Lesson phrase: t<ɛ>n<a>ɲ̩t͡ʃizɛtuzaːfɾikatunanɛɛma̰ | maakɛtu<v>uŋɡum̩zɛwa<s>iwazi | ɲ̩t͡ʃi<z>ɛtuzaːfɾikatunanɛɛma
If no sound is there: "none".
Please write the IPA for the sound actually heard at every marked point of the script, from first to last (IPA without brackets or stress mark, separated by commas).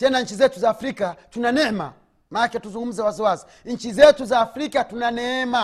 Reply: ɛ, a, z, z, z